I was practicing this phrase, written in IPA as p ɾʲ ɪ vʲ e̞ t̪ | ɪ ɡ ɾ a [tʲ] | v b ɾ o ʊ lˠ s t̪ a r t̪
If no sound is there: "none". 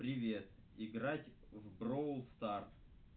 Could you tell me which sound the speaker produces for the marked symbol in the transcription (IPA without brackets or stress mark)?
tʲ